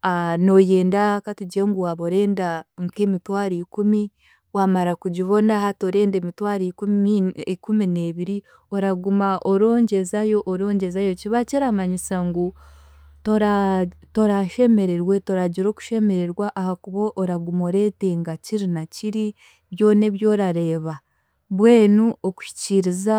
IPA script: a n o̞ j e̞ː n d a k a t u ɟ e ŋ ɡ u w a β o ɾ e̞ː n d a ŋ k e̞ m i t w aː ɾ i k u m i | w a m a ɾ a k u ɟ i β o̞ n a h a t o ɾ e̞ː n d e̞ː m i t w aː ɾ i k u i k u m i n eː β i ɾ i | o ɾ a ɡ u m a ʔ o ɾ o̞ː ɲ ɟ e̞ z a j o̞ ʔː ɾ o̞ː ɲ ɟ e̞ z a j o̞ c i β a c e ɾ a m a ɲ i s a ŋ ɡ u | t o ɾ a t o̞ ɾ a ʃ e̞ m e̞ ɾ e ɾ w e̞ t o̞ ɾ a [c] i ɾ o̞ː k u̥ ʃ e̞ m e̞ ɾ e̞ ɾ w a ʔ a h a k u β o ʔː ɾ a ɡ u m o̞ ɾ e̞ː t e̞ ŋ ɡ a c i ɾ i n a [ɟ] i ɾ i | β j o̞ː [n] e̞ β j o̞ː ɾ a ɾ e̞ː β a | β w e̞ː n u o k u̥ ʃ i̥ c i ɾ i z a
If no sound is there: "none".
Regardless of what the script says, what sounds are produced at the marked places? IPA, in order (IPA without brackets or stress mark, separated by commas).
ɟ, c, n